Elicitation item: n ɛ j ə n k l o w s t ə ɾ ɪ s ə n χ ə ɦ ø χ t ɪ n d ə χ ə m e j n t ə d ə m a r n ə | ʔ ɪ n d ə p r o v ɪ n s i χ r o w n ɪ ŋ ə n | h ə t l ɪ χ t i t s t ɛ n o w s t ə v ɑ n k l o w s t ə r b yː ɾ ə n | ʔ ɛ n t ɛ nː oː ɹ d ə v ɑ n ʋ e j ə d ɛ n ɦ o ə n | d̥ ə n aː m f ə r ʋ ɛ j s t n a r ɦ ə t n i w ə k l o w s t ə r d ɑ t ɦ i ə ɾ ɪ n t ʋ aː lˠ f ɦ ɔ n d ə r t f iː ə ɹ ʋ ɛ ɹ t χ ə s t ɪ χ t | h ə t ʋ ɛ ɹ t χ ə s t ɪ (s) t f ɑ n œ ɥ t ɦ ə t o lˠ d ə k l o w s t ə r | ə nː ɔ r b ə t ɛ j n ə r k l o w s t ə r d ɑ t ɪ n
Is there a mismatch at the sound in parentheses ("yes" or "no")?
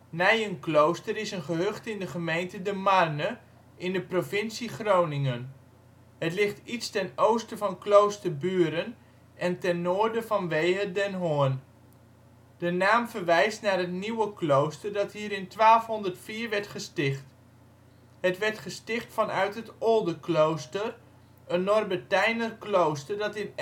yes